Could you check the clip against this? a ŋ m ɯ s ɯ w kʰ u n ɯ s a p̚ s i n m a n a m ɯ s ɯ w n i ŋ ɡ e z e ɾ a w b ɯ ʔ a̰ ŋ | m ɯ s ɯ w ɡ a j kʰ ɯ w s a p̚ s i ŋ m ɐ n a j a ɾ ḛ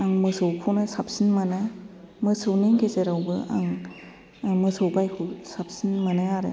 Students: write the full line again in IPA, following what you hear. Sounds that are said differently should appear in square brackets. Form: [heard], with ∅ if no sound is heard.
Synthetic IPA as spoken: a ŋ m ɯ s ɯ w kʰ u n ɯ s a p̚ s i n m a n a m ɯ s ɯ w n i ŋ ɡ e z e ɾ a w b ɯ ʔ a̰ ŋ | m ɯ s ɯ w [b] a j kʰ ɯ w s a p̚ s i [n] m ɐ n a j a ɾ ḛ